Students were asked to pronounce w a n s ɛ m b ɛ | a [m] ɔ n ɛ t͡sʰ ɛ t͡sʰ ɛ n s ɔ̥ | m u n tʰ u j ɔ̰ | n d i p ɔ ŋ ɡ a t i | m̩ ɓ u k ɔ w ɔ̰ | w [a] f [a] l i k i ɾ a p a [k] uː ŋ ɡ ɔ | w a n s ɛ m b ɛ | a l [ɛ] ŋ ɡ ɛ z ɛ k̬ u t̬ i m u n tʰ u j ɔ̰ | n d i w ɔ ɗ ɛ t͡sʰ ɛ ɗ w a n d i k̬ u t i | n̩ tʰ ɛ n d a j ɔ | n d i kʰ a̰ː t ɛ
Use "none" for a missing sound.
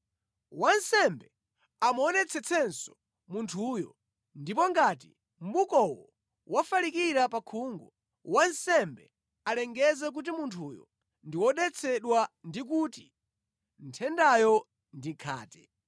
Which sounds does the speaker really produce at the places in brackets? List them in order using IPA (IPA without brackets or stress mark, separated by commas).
m, a, a, kʰ, ɛ